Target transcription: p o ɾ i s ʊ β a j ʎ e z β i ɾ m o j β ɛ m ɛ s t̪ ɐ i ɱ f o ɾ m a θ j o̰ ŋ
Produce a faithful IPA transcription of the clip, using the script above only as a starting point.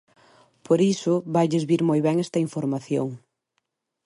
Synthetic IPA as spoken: p o ɾ i s ʊ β a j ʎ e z β i ɾ m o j β ɛ ŋ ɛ s t̪ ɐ i ɱ f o ɾ m a θ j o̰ ŋ